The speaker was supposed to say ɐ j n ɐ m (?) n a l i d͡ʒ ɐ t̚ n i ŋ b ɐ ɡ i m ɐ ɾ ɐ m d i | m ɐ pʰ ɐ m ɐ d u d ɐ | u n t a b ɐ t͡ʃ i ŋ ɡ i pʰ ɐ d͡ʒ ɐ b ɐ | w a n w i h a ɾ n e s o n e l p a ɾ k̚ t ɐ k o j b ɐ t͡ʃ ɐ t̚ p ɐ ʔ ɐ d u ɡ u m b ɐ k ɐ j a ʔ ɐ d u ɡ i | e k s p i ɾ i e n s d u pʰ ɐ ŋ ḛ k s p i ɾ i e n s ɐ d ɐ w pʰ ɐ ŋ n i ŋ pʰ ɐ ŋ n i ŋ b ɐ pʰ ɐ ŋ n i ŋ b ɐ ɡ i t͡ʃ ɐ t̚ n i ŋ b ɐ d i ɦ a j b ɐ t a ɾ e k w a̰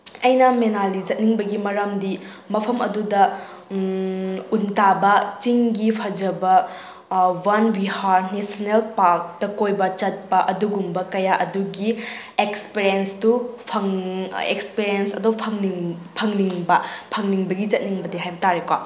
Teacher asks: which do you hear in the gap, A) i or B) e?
B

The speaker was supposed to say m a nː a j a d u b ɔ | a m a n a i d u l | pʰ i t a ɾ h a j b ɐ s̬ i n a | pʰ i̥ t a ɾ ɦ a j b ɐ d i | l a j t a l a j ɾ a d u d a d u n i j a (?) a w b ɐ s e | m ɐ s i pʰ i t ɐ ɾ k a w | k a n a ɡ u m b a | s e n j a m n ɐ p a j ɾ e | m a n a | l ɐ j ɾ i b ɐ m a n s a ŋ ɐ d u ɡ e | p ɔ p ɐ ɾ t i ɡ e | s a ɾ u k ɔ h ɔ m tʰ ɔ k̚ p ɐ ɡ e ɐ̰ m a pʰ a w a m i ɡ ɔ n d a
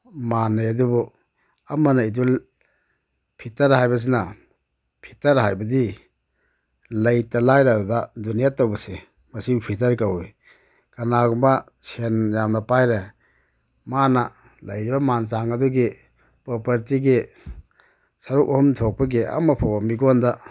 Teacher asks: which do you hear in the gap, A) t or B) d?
A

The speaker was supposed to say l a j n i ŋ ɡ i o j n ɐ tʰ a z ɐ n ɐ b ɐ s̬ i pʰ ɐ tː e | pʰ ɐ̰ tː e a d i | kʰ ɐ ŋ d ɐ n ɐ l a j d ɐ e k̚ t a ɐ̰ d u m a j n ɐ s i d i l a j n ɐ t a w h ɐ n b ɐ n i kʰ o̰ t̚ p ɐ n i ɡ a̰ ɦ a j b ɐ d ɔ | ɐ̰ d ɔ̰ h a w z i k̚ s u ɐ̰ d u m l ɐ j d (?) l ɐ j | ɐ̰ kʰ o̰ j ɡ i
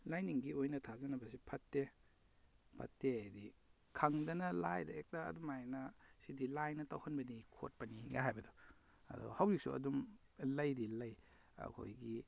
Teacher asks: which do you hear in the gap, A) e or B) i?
B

